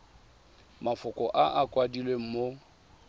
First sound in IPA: m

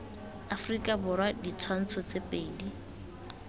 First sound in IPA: a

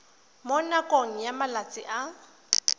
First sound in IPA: m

